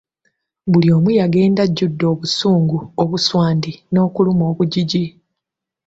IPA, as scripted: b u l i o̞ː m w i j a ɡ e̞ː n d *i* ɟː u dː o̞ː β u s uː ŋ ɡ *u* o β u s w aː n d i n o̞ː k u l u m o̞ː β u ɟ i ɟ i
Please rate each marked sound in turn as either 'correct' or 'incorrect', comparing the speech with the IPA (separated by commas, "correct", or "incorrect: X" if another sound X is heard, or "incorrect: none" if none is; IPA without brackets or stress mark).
incorrect: a, correct